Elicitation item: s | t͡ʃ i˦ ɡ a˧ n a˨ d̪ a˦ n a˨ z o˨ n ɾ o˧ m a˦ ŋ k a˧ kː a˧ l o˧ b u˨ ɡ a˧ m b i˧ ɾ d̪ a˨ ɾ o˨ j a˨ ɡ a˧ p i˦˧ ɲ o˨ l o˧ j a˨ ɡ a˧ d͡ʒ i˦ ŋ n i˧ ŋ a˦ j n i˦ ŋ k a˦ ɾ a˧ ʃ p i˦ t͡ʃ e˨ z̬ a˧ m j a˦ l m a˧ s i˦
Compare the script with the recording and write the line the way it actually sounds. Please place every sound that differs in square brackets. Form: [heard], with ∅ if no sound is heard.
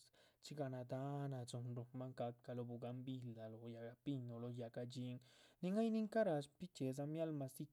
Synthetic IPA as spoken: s | t͡ʃ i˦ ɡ a˧ n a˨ d̪ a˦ n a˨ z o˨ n ɾ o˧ m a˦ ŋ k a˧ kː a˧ l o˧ b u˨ ɡ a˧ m b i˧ [l] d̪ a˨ [l] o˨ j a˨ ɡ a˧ p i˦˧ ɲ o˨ l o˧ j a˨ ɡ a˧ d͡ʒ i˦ ŋ n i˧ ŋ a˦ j n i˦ ŋ k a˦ ɾ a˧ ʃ p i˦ t͡ʃ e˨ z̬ a˧ m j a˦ l m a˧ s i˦